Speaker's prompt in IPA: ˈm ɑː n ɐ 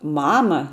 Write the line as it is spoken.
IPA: ˈm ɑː m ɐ